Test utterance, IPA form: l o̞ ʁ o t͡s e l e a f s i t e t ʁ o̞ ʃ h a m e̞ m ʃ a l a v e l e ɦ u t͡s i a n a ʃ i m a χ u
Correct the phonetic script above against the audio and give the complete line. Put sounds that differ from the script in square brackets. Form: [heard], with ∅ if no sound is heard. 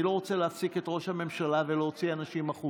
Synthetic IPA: l o̞ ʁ o t͡s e l e a f s i [k] e t ʁ o̞ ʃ h a m e̞ m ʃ a l a v e l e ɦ [o] t͡s i a n a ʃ i m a χ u